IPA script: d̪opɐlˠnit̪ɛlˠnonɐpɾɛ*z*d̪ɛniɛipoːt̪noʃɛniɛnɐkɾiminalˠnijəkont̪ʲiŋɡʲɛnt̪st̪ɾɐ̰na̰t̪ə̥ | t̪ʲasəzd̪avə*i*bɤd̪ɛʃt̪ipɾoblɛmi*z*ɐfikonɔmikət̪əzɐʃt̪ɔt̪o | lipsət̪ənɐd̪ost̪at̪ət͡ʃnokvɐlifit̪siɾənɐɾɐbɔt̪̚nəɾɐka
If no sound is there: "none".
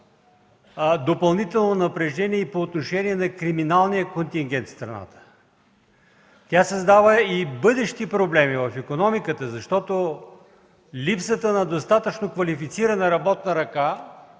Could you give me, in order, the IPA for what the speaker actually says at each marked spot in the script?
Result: ʒ, i, v

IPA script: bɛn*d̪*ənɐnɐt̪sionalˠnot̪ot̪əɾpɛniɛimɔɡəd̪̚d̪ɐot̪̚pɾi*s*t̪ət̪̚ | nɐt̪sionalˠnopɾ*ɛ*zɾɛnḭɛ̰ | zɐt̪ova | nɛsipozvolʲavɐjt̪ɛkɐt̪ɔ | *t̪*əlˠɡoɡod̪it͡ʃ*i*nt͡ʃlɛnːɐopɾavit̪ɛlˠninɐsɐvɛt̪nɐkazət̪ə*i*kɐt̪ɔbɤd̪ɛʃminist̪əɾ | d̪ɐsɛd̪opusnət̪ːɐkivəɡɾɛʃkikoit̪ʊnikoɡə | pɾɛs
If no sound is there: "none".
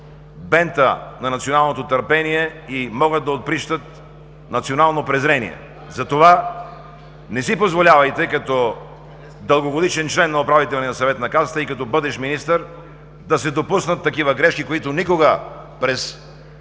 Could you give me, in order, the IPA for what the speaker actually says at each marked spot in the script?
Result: t̪, ʃ, ɛ, d̪, ɛ, i

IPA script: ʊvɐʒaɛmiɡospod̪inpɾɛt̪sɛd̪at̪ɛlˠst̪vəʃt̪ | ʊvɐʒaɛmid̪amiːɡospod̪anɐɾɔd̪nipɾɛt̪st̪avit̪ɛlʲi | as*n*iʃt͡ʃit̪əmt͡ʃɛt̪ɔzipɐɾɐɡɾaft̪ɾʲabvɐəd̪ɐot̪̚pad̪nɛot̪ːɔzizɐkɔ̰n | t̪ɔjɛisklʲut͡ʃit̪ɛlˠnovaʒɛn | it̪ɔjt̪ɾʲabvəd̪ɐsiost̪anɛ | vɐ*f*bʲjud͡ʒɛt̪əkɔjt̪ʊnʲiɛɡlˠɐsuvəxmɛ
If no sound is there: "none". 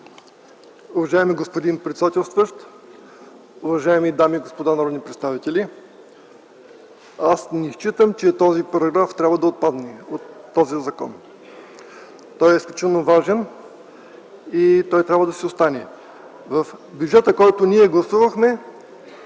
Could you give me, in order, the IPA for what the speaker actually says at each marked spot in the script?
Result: n, f

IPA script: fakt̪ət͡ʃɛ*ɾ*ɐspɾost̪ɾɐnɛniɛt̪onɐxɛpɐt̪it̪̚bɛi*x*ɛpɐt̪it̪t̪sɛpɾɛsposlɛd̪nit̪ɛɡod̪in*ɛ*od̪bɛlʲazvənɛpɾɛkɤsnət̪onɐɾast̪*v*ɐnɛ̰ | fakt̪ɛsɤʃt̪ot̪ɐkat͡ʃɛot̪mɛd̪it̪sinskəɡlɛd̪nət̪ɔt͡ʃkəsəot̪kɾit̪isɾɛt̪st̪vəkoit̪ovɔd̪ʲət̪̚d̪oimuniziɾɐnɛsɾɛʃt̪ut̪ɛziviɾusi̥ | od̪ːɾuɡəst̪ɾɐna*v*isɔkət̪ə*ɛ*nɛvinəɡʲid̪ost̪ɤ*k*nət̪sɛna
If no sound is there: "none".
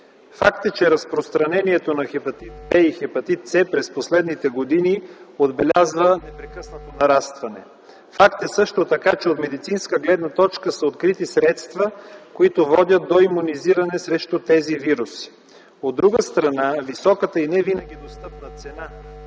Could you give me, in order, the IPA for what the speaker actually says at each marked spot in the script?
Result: ɾ, x, i, v, v, i, p

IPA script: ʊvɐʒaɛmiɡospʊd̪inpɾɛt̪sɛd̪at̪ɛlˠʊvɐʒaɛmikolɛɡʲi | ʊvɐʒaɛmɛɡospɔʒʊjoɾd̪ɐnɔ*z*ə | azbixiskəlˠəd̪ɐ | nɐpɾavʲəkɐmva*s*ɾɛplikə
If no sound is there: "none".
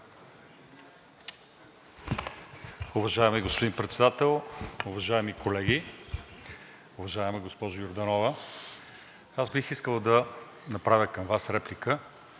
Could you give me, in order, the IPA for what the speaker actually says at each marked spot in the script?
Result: v, s

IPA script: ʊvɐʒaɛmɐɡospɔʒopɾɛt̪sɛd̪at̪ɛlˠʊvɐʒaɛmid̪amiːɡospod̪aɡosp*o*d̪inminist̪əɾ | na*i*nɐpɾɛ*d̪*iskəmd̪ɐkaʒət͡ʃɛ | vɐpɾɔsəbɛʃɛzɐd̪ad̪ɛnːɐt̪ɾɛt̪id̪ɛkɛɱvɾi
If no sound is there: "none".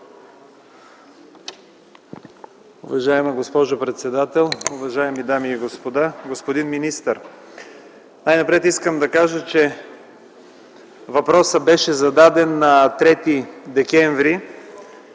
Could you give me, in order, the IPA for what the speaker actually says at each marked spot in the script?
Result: o, j, t̪

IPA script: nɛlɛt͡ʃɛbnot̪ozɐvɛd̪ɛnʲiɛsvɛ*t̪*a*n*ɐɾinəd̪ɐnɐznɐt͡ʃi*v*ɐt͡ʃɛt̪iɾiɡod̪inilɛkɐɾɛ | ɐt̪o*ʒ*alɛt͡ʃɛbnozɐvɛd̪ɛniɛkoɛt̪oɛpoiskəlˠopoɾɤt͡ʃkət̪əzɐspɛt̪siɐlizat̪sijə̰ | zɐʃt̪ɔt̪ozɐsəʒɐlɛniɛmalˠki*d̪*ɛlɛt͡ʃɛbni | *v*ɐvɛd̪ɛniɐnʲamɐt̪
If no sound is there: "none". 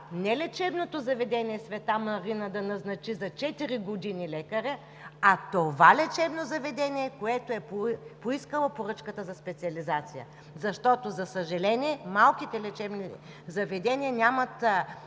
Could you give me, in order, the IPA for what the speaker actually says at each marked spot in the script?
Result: t̪, m, z, v, t̪, z

